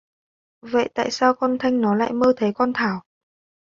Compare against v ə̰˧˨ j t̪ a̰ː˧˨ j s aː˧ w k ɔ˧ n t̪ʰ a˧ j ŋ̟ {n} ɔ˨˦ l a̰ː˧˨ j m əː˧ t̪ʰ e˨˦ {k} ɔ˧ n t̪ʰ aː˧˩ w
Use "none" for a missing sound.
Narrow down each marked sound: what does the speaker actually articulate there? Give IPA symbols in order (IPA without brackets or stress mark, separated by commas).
n, k